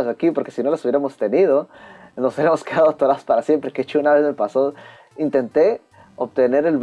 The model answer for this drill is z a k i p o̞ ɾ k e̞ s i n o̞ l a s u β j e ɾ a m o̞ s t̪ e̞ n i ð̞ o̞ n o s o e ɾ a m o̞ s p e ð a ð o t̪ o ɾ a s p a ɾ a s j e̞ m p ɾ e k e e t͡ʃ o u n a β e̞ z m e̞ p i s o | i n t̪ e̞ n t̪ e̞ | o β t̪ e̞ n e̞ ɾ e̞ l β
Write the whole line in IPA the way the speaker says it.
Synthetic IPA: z a k i p o̞ ɾ k e̞ s i n o̞ l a s u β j e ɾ a m o̞ s t̪ e̞ n i ð̞ o̞ n o s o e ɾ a m o̞ s k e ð a ð o t̪ o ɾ a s p a ɾ a s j e̞ m p ɾ e k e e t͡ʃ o u n a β e̞ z m e̞ p a s o | i n t̪ e̞ n t̪ e̞ | o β t̪ e̞ n e̞ ɾ e̞ l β